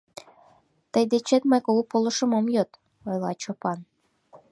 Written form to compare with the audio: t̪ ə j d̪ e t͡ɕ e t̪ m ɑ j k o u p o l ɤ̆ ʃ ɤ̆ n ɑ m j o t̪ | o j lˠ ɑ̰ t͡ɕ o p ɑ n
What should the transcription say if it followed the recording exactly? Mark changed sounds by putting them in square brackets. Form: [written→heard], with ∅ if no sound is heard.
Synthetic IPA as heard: t̪ ə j d̪ e t͡ɕ e t̪ m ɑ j k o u p o l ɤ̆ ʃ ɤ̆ [n→m] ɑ m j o t̪ | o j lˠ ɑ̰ t͡ɕ o p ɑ n